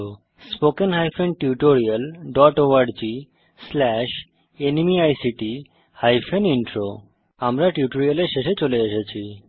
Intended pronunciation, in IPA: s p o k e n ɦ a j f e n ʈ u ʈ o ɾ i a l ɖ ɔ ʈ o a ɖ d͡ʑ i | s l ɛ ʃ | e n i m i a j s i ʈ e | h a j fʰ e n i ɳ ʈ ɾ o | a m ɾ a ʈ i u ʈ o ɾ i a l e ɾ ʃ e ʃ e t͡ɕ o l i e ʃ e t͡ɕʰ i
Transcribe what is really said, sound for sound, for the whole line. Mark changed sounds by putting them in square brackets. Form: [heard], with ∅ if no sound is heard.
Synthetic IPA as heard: s p o k e n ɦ a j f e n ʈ u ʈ o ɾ i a l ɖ ɔ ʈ o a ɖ d͡ʑ i | s l ɛ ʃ | e n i m i a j s i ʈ [i] | h a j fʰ e n i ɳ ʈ ɾ o | a m ɾ a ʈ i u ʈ o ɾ i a l e ɾ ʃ e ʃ e t͡ɕ o l [e] e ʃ e t͡ɕʰ i